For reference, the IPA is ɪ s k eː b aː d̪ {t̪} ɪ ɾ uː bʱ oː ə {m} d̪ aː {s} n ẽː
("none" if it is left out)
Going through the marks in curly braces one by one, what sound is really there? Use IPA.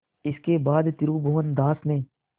t̪, n, s

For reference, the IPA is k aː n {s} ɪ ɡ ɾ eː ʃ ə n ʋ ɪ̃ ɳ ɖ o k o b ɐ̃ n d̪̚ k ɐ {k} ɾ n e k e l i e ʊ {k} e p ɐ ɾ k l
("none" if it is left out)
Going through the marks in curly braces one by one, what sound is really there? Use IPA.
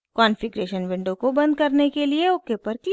f, none, k

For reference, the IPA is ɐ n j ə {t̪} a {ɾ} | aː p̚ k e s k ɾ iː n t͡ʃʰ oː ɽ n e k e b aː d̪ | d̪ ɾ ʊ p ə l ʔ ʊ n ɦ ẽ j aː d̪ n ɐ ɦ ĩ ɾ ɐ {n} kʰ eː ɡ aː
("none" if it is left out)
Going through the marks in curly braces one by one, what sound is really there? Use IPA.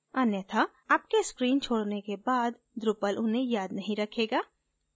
t̪ʰ, none, none

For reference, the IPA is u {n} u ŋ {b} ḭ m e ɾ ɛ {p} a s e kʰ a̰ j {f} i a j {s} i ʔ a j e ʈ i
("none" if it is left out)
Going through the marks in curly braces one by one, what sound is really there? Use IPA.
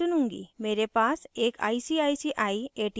n, ɡ, p, s, s

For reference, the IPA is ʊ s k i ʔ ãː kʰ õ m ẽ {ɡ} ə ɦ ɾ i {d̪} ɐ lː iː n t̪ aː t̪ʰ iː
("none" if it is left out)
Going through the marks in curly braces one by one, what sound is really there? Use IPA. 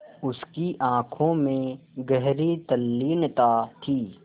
ɡ, t̪

